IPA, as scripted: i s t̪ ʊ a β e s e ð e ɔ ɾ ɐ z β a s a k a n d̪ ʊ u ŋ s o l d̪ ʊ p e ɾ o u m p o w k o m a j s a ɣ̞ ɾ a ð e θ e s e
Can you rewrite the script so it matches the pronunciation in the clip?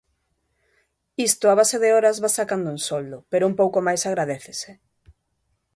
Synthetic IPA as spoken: i s t̪ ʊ a β a s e ð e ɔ ɾ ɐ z β a s a k a n d̪ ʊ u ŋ s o l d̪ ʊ p e ɾ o u m p o w k o m a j s a ɣ̞ ɾ a ð e θ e s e